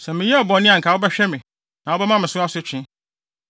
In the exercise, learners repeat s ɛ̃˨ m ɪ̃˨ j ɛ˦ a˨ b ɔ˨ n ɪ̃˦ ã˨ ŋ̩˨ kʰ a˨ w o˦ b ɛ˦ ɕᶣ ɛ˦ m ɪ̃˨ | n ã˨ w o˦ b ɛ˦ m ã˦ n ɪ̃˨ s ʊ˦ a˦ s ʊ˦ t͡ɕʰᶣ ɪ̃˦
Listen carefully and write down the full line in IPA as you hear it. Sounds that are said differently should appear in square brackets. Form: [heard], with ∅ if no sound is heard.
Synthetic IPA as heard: s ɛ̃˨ m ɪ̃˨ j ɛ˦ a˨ b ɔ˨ n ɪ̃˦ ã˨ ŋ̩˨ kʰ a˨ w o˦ b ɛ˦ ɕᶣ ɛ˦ m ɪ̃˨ | n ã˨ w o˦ b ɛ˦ m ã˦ [m] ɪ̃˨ s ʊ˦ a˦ s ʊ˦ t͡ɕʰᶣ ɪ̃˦